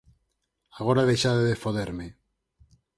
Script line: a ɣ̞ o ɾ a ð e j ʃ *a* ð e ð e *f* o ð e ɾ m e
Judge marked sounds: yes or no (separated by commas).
yes, yes